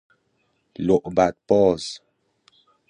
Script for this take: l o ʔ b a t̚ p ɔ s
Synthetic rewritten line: l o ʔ b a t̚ p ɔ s